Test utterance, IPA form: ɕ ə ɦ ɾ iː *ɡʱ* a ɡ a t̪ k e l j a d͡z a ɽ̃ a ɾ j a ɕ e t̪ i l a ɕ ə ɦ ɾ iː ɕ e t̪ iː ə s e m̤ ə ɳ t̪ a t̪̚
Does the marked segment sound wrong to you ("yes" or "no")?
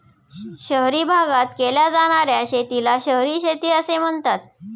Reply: yes